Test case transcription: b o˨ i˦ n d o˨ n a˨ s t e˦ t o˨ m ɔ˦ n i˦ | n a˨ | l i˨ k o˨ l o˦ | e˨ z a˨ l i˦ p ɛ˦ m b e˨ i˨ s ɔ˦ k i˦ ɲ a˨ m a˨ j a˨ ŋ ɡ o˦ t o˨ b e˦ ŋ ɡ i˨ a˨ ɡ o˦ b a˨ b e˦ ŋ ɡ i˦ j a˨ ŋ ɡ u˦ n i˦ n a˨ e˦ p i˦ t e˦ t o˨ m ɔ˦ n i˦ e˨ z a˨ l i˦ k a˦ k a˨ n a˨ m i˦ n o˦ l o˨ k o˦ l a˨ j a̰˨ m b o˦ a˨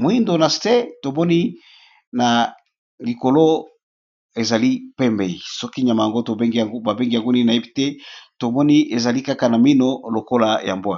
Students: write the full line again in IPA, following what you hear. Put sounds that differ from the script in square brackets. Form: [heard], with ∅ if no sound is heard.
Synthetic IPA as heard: [m] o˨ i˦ n d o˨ n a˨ s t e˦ t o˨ m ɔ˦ n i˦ | n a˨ | l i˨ k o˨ l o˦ | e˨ z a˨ l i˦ p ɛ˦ m b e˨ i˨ s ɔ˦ k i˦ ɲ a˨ m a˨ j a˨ ŋ ɡ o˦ t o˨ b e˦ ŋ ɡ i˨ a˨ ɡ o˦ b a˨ b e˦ ŋ ɡ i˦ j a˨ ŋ ɡ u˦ n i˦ n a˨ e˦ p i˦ t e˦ t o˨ m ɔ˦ n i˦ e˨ z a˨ l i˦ k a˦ k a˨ n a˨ m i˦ n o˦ l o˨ k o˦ l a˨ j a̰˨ m b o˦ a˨